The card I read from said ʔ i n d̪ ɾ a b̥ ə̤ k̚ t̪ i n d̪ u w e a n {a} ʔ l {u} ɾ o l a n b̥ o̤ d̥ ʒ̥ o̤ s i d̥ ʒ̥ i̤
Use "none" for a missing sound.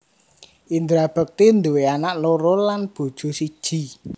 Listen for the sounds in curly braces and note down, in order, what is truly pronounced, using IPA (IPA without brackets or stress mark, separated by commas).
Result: a, o